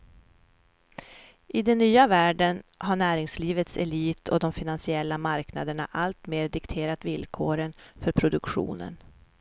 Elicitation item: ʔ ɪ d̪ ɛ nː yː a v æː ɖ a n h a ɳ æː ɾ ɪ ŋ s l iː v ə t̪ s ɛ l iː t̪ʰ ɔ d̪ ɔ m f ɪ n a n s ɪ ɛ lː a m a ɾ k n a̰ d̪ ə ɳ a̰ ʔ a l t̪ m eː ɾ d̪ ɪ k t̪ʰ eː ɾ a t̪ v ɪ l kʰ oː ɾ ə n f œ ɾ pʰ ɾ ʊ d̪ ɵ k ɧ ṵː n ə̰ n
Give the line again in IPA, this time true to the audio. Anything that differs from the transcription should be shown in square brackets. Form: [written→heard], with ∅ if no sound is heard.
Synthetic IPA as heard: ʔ ɪ d̪ ɛ nː yː a v æː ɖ [a→ə] n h a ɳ æː ɾ ɪ ŋ s l iː v ə t̪ s ɛ l iː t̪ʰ ɔ d̪ ɔ m f ɪ n a n s ɪ ɛ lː a m a ɾ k n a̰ d̪ ə ɳ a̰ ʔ a l t̪ m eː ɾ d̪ ɪ k t̪ʰ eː ɾ a t̪ v ɪ l kʰ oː ɾ ə n f œ ɾ pʰ ɾ ʊ d̪ ɵ k ɧ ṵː n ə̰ n

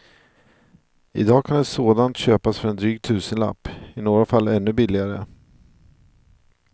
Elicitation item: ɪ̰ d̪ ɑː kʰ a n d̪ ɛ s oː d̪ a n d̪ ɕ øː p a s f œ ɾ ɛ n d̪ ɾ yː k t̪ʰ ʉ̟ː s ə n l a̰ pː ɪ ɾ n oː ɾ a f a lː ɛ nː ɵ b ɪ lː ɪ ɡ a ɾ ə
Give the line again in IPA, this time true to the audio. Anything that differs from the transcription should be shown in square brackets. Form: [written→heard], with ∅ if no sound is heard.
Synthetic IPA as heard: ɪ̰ d̪ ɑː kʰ a n d̪ ɛ s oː d̪ a n [d̪→t̪] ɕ øː p a s f œ ɾ ɛ n d̪ ɾ yː [k→ɡ] t̪ʰ ʉ̟ː s ə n l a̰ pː ɪ [ɾ→∅] n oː ɾ a f a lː ɛ nː ɵ b ɪ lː ɪ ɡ a ɾ ə

